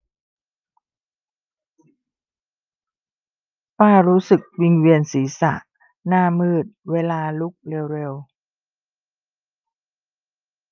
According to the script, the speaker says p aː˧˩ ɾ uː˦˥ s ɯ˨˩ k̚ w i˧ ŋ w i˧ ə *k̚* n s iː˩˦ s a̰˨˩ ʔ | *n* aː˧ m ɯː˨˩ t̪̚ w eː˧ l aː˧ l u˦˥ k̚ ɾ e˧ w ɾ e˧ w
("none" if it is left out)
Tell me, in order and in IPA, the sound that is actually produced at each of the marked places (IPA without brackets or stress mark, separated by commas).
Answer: none, n